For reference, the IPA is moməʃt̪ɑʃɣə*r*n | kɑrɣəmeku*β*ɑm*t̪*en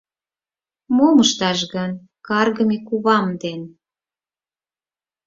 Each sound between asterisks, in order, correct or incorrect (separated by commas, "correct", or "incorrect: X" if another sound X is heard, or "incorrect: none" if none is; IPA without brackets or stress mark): incorrect: none, correct, incorrect: d̪